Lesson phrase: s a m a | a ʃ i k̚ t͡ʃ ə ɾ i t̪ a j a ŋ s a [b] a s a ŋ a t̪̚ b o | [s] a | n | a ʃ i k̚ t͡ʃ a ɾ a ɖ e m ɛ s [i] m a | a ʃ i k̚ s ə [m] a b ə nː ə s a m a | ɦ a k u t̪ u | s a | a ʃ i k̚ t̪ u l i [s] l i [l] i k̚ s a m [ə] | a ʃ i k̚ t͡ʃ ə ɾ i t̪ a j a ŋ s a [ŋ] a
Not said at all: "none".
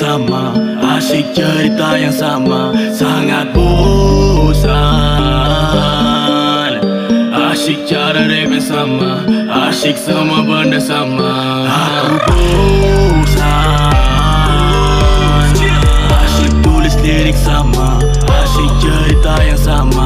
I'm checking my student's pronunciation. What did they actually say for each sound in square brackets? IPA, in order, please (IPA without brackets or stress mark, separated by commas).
m, s, a, m, s, ɾ, a, m